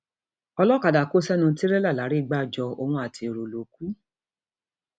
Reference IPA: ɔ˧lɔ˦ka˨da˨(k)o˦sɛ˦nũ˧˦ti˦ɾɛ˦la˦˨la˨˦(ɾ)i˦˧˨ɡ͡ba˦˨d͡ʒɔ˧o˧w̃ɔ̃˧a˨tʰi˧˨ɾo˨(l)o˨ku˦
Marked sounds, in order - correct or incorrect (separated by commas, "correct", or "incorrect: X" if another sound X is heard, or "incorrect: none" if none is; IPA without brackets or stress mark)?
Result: correct, correct, correct